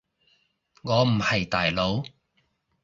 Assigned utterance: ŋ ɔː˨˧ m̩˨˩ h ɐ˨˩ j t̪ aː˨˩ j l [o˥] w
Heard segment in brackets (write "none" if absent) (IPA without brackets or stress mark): o˨˧˥